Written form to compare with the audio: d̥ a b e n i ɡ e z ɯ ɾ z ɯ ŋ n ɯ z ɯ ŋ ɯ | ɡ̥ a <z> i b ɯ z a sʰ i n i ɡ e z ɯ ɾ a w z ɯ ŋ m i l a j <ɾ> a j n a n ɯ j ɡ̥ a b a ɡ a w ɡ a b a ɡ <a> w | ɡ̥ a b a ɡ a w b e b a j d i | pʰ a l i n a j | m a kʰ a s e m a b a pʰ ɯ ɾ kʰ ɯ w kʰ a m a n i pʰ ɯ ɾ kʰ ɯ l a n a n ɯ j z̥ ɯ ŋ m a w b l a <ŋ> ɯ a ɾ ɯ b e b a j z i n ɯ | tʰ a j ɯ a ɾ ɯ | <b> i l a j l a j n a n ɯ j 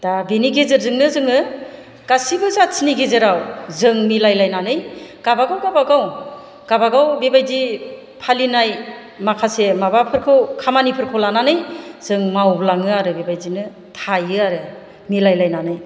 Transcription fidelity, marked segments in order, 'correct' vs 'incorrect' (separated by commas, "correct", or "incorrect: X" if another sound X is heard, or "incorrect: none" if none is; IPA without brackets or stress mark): incorrect: s, incorrect: l, correct, correct, incorrect: m